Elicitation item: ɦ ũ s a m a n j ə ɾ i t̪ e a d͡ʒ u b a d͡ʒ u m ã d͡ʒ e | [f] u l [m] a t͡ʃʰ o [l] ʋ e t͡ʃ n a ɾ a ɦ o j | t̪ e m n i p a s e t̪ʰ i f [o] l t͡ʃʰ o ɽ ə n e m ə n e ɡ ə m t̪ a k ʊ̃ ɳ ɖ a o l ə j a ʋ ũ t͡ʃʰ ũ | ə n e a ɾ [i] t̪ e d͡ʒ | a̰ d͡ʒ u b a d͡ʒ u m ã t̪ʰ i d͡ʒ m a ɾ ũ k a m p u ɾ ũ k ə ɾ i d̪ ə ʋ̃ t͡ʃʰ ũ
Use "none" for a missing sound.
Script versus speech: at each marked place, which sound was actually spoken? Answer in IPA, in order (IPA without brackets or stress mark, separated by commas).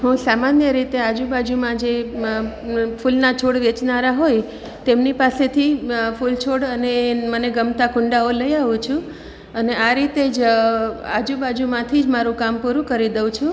f, n, ɽ, u, i